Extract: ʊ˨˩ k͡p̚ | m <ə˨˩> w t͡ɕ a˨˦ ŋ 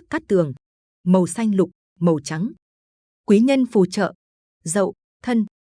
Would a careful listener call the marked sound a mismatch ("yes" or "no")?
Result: no